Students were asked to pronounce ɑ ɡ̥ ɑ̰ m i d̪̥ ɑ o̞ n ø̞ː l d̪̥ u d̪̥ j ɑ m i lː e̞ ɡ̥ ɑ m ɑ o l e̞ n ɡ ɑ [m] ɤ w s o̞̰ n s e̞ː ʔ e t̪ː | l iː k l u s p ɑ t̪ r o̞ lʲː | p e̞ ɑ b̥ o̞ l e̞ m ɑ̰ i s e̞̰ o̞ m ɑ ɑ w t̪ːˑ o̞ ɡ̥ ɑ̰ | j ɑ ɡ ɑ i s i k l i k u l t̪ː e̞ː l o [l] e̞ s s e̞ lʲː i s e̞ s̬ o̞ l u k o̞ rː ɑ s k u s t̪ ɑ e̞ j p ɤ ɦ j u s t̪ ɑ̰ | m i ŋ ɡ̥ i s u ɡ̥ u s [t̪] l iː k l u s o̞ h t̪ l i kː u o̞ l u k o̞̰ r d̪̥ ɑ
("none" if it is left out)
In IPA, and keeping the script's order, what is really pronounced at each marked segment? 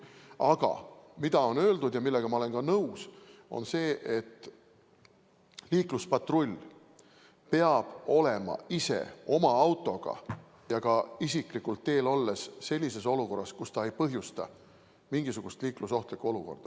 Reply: n, lː, t̪

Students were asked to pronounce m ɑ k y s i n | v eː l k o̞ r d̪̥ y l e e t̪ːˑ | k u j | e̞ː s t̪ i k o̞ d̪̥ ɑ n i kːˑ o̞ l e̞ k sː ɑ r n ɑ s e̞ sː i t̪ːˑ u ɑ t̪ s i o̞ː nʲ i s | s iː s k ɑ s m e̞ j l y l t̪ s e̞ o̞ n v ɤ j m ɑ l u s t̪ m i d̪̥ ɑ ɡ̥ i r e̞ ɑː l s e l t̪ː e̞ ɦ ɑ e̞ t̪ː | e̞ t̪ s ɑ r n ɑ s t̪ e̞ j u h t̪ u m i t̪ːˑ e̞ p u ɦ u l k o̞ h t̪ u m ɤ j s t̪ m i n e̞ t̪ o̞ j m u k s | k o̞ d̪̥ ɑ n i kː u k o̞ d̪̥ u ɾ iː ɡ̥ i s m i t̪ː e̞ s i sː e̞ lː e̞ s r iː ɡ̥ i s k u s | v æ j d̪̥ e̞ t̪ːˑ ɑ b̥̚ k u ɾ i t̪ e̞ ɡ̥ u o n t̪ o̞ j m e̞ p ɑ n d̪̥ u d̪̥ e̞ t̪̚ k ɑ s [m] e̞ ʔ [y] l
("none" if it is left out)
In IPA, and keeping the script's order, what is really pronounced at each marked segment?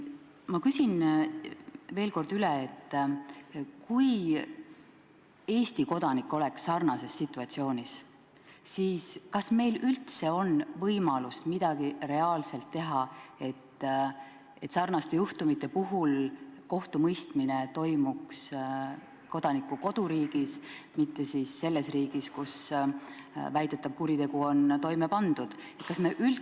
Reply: m, y

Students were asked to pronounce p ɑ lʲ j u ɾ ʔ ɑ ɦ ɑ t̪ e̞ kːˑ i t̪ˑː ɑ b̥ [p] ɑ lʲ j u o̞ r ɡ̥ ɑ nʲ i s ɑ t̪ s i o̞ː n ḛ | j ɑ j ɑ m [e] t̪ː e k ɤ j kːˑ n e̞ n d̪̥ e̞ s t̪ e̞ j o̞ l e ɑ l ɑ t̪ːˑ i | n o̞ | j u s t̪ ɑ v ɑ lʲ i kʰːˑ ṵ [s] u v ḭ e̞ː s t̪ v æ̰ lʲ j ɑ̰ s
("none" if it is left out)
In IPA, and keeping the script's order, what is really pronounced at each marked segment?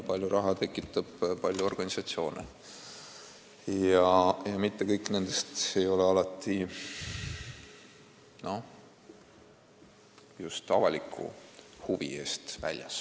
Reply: p, i, h

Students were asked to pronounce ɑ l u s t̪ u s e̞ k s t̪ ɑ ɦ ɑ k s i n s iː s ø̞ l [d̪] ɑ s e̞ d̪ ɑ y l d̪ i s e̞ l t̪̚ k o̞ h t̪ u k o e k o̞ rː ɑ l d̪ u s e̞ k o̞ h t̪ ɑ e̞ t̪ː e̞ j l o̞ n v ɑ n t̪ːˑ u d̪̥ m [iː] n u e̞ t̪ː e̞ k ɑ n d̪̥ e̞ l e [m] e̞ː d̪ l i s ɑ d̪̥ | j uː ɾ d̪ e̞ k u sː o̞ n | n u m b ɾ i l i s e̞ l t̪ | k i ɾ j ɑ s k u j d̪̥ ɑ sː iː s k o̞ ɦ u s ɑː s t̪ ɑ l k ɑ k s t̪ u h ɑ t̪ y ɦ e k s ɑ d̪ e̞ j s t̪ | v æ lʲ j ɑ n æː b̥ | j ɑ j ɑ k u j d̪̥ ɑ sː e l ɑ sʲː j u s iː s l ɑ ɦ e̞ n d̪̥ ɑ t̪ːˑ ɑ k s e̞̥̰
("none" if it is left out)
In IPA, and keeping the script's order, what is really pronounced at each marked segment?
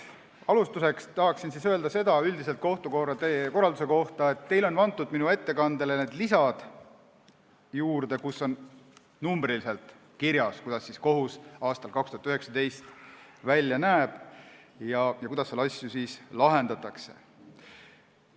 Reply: d̪, i, n

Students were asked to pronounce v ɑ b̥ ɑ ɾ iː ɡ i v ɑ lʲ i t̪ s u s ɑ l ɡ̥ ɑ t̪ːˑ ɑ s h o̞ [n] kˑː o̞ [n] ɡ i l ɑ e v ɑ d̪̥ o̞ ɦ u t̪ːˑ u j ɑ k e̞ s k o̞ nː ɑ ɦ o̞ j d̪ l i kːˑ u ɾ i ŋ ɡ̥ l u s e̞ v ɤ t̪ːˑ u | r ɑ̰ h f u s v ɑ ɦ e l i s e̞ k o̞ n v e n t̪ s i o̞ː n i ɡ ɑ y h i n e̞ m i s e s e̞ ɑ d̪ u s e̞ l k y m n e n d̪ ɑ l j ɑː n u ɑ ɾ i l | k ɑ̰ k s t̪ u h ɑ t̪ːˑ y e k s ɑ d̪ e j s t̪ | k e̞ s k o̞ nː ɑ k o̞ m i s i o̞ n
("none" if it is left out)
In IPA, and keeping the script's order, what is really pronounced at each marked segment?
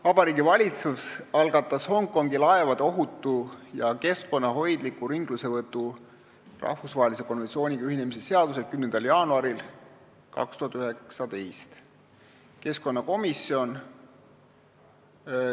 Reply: ŋ, ŋ

